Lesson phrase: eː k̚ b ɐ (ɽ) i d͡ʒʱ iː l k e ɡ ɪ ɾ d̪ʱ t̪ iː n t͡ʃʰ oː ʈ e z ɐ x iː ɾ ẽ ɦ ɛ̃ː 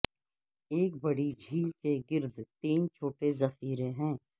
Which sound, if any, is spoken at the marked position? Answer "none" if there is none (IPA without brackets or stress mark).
ɽ